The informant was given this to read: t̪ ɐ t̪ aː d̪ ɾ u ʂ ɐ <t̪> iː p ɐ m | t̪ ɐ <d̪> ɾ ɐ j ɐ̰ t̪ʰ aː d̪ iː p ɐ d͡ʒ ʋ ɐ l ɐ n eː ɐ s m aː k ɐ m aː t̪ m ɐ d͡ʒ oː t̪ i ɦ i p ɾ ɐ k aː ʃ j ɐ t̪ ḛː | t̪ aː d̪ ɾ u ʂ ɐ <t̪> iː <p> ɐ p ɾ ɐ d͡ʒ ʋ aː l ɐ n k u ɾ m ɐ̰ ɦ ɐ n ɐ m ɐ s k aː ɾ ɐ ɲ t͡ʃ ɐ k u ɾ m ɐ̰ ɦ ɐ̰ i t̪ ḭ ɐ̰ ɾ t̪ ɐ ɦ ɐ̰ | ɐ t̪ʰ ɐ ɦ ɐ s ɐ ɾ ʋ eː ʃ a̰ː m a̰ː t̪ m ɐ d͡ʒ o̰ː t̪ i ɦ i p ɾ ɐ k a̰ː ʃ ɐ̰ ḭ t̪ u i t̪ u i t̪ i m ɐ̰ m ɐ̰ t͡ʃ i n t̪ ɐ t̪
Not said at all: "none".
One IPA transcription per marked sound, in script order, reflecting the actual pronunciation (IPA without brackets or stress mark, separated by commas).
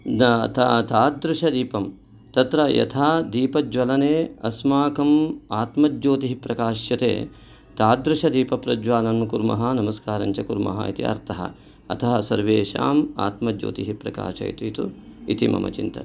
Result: d̪, t̪, d̪, p